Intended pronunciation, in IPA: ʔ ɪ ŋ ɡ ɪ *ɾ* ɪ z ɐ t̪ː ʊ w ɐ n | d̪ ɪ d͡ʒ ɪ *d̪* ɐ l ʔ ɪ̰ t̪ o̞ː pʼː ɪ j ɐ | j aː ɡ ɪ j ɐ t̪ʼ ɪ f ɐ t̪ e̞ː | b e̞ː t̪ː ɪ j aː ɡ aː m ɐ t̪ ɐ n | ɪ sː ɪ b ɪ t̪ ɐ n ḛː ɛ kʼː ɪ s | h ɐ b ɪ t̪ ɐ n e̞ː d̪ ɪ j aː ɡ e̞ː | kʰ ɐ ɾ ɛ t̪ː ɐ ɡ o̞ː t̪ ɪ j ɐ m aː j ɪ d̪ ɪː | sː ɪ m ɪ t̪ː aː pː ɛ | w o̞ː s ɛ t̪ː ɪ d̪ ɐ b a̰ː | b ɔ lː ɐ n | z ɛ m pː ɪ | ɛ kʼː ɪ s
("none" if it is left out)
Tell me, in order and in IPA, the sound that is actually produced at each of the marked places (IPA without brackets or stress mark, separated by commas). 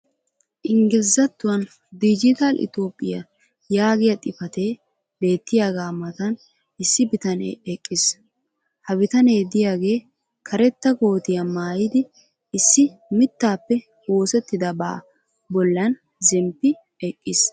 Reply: l, t̪